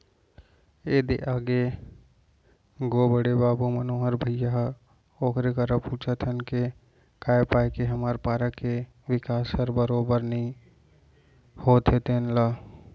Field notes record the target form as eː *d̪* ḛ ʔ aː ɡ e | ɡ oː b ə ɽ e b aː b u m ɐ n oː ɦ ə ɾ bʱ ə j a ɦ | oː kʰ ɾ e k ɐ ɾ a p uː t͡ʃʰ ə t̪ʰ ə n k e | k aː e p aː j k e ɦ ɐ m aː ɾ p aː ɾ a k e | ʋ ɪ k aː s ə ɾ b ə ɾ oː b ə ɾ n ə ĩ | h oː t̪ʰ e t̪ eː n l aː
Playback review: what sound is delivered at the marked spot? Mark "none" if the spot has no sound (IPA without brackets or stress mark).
d̪